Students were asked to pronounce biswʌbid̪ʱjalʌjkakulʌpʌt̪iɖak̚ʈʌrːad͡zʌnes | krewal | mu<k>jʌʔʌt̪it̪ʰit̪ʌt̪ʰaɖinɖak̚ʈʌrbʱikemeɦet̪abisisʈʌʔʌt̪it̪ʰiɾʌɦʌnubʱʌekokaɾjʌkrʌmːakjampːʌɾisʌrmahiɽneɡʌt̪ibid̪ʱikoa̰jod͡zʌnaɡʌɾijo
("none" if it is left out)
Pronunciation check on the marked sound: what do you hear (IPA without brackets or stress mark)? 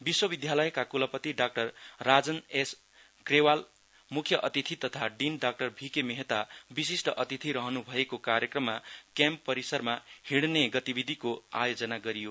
kʰ